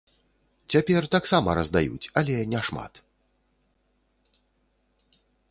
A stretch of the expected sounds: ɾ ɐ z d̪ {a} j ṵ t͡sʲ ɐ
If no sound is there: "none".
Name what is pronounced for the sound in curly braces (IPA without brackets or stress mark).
a